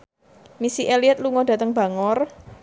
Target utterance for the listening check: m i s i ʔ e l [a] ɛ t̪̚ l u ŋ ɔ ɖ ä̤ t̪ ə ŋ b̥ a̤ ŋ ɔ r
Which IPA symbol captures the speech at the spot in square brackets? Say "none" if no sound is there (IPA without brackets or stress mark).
i